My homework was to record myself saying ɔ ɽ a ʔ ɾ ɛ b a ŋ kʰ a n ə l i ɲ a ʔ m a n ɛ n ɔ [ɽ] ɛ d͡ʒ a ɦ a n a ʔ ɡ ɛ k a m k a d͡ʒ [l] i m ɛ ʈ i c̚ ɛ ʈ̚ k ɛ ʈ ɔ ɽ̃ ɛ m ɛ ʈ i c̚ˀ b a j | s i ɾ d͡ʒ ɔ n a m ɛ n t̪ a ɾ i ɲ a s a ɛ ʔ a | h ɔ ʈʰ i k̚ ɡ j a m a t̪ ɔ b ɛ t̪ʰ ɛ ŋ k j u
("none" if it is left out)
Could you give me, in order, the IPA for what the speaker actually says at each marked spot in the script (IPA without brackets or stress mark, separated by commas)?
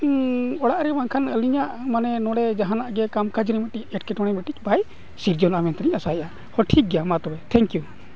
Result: ɽ, ɾ